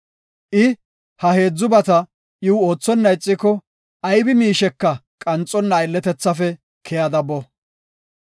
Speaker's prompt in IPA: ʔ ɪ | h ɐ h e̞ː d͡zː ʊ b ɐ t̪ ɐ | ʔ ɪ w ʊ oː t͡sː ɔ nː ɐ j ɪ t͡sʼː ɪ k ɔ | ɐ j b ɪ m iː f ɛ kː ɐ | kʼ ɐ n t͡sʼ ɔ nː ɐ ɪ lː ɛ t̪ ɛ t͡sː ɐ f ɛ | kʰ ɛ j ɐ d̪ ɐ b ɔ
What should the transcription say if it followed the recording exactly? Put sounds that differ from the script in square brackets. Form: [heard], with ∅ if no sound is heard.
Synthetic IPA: ʔ ɪ | h ɐ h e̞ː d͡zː ʊ b ɐ t̪ ɐ | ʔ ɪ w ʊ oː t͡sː ɔ nː ɐ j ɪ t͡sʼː ɪ k ɔ | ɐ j b ɪ m iː [ʃ] ɛ kː ɐ | kʼ ɐ n t͡sʼ ɔ nː ɐ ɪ lː ɛ t̪ ɛ t͡sː ɐ f ɛ | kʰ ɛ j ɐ d̪ ɐ b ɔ

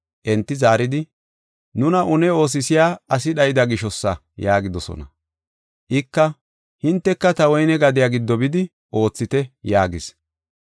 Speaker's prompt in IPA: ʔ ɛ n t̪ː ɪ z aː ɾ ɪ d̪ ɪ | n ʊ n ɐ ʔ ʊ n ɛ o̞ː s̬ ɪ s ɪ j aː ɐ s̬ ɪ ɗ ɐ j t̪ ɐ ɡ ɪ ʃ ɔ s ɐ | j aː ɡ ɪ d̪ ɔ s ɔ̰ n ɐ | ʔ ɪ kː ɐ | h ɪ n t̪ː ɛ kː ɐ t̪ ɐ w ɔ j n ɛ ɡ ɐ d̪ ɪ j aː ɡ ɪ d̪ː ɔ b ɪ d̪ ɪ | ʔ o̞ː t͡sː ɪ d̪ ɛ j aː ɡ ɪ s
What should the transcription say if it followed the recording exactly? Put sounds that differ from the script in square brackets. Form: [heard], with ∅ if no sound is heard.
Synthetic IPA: ʔ ɛ n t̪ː ɪ z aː ɾ ɪ d̪ ɪ | n ʊ n ɐ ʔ ʊ n ɛ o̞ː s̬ ɪ s ɪ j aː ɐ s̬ ɪ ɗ ɐ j [d̪] ɐ ɡ ɪ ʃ ɔ [sː] ɐ | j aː ɡ ɪ d̪ ɔ s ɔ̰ n ɐ | ʔ ɪ kː ɐ | h ɪ n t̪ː ɛ kː ɐ t̪ ɐ w ɔ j n ɛ ɡ ɐ d̪ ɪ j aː ɡ ɪ d̪ː ɔ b ɪ d̪ ɪ | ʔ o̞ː t͡sː ɪ [t̪] ɛ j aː ɡ ɪ s

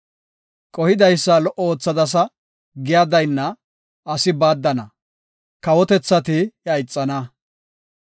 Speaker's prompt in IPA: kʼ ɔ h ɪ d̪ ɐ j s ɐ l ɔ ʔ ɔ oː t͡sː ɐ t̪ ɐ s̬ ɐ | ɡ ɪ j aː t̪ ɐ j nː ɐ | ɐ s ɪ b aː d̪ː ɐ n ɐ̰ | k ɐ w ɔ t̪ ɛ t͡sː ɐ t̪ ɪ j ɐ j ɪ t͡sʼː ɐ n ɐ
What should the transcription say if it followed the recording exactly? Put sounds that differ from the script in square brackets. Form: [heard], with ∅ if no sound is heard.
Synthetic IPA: kʼ ɔ h ɪ d̪ ɐ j [sː] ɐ l ɔ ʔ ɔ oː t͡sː ɐ [d̪] ɐ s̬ ɐ | ɡ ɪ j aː [d̪] ɐ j nː ɐ | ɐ s ɪ b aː d̪ː ɐ n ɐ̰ | k ɐ w ɔ t̪ ɛ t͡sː ɐ t̪ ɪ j ɐ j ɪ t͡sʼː ɐ n ɐ

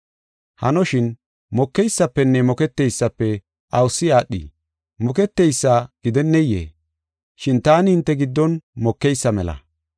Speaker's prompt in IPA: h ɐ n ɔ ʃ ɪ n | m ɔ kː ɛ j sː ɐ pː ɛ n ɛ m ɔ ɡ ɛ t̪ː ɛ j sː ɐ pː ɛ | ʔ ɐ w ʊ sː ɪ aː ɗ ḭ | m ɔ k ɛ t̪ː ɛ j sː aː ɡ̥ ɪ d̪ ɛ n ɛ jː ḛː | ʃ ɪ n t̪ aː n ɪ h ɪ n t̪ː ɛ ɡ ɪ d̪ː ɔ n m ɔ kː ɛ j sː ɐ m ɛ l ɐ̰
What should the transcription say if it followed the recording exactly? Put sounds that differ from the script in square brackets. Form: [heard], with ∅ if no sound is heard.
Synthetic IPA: h ɐ n ɔ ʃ ɪ n | m ɔ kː ɛ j sː ɐ pː ɛ [nː] ɛ m ɔ [k] ɛ t̪ː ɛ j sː ɐ pː ɛ | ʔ ɐ w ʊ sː ɪ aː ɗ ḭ | m ɔ k ɛ t̪ː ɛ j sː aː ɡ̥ ɪ d̪ ɛ [nː] ɛ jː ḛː | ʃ ɪ n t̪ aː n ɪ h ɪ n t̪ː ɛ ɡ ɪ d̪ː ɔ n m ɔ kː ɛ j sː ɐ m ɛ l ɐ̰

